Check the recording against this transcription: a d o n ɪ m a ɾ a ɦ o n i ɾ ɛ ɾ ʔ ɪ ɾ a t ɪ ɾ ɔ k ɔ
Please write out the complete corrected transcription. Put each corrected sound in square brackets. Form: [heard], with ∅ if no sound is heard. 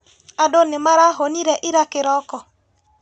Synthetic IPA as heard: a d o n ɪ m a ɾ a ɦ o n i ɾ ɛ [∅] ʔ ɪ ɾ a [k] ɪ ɾ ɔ k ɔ